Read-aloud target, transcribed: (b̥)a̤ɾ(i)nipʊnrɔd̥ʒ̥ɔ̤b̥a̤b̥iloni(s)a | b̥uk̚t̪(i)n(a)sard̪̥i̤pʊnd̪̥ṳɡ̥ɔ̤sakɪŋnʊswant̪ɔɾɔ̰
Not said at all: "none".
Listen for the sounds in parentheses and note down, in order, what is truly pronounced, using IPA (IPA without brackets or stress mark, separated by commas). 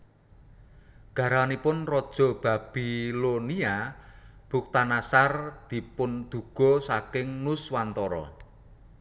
ɡ̥, a, none, a, a